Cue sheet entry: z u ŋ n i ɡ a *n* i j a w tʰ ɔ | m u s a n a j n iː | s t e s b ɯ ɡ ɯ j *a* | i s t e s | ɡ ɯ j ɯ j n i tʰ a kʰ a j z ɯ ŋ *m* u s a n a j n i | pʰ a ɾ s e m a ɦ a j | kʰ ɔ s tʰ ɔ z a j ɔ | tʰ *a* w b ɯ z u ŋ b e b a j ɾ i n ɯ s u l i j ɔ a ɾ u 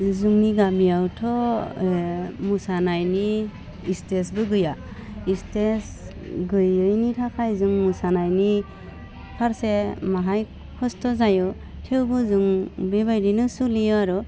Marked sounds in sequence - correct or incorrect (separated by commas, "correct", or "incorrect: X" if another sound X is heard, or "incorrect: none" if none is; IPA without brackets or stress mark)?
incorrect: m, correct, correct, incorrect: e